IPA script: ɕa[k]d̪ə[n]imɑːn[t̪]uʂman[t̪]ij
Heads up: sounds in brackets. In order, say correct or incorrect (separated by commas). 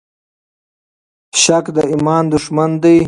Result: correct, incorrect, incorrect, incorrect